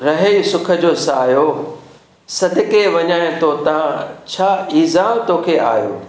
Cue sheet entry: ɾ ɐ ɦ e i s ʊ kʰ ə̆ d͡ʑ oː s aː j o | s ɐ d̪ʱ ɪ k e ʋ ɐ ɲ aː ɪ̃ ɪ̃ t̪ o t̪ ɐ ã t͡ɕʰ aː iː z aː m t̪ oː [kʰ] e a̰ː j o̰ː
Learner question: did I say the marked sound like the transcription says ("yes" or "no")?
yes